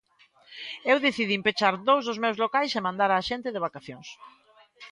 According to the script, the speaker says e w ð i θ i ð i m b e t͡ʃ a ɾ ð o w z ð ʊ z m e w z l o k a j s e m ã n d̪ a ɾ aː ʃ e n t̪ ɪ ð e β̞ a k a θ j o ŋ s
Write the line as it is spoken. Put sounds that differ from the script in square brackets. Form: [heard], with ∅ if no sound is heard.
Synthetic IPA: e w ð [e] θ i ð i m [p] e t͡ʃ a ɾ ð o w z ð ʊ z m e w z l o k a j s e m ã n d̪ a ɾ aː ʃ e n t̪ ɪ ð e β̞ a k a θ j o ŋ s

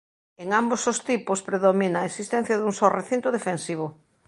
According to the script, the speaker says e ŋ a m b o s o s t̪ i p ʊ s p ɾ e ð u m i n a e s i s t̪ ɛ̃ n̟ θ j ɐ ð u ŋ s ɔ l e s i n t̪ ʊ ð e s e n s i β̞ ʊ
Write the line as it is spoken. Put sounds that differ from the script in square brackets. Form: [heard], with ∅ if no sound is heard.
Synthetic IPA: e ŋ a m b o s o s t̪ i p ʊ s p ɾ e ð [o] m i n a e s i s t̪ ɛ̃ n̟ θ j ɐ ð u ŋ s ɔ [r] e [θ] i n t̪ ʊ ð e [f] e n s i β̞ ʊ

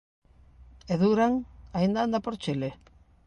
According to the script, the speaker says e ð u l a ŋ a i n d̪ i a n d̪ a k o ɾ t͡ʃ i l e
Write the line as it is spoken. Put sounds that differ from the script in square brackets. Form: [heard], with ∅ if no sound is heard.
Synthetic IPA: e ð u [ɾ] a ŋ a i n d̪ [a] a n d̪ a [p] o ɾ t͡ʃ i l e

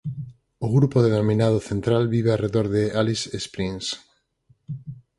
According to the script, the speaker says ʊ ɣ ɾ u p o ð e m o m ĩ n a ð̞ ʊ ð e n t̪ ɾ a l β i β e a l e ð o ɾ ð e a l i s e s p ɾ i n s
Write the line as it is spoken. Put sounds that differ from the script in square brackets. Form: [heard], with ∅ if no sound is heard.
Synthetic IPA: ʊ ɣ ɾ u p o ð e [n] o m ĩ n a ð̞ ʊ [θ] e n t̪ ɾ a l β i β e a [r] e ð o ɾ ð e a l i s e s p ɾ i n s

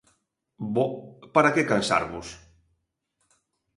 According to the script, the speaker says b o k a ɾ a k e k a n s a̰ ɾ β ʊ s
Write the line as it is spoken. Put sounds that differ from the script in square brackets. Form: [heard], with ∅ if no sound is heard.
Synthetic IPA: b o [p] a ɾ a k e k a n s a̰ ɾ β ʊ s

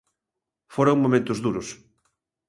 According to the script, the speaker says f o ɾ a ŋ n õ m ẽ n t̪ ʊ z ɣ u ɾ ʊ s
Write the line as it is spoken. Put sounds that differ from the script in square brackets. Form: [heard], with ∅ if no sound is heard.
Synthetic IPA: f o ɾ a ŋ [m] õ m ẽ n t̪ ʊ z [ð] u ɾ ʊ s

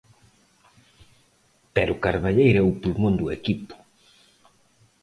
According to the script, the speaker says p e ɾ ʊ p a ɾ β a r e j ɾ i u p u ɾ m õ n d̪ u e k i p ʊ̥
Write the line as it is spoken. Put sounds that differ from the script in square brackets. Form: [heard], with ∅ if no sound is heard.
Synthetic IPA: p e ɾ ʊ [k] a ɾ β a [ʎ] e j ɾ [ɛ] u p u [l] m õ n d̪ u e k i p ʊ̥

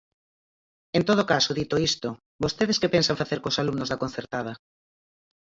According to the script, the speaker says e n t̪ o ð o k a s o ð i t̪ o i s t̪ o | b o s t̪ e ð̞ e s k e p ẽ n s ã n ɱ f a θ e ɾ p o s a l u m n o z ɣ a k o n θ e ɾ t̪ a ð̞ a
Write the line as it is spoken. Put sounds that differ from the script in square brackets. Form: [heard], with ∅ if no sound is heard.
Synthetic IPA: e n t̪ o ð o k a s o ð i t̪ o i s t̪ o | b o s t̪ e ð̞ e s k e p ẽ n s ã [∅] ɱ f a θ e ɾ [k] o s a l u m n o z [ð] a k o n θ e ɾ t̪ a ð̞ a

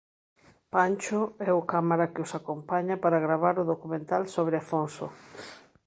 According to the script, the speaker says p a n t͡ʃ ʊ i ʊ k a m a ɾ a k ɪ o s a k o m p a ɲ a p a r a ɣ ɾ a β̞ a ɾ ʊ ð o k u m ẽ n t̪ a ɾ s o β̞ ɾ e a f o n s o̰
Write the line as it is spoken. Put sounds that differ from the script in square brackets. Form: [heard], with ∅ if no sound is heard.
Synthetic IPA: p a n t͡ʃ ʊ [ɛ] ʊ k a m a ɾ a k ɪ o s a k o m p a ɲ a p a [ɾ] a ɣ ɾ a β̞ a ɾ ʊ ð o k u m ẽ n t̪ a [l] s o β̞ ɾ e a f o n s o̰

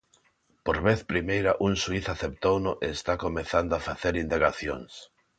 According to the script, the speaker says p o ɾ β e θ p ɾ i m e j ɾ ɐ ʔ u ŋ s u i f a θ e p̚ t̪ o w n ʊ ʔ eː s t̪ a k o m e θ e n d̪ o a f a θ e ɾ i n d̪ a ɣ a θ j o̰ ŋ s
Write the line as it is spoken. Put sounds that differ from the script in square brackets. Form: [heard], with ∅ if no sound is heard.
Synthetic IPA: p o ɾ β e θ p ɾ i m e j ɾ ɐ ʔ u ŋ s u i [θ] a θ e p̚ t̪ o w n ʊ ʔ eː s t̪ a k o m e θ [a] n d̪ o a f a θ e ɾ i n d̪ a ɣ a θ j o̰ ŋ s

